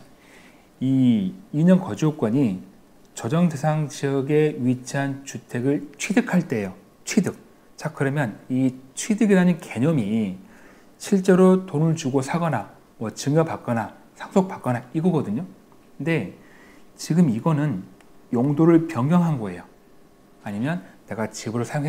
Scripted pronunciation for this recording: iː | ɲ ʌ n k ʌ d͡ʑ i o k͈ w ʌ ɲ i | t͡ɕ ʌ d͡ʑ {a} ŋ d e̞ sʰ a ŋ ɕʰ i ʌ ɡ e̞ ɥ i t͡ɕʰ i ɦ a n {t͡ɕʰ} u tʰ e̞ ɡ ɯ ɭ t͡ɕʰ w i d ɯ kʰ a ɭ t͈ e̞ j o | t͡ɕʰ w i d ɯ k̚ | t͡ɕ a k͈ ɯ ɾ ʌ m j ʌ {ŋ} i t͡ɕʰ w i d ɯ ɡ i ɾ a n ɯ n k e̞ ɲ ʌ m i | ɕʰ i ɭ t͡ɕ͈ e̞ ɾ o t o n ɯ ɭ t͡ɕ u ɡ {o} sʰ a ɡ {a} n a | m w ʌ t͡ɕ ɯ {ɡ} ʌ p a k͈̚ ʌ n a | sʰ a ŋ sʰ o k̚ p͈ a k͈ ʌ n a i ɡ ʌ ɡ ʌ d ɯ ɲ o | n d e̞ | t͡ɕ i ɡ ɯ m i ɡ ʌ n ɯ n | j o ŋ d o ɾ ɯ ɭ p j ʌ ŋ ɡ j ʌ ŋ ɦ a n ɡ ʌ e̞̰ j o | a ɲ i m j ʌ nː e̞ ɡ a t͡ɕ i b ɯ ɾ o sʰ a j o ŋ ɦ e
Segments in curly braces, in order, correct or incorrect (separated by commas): incorrect, incorrect, incorrect, correct, incorrect, incorrect